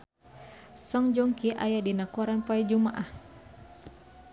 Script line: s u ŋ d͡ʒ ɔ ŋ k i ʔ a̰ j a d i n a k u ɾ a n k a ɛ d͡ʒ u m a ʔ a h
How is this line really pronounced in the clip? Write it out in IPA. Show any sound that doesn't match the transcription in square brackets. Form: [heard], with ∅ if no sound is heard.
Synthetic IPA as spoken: s [ɔ] ŋ d͡ʒ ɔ ŋ k i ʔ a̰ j a d i n a k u ɾ a n [p] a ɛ d͡ʒ u m a ʔ a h